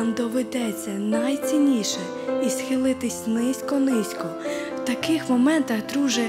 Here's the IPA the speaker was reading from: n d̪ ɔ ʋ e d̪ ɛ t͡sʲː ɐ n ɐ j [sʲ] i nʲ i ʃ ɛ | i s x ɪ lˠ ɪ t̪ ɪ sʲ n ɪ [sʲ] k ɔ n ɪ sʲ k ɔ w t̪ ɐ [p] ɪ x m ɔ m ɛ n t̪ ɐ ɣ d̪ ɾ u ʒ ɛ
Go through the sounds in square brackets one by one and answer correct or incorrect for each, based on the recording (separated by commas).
incorrect, correct, incorrect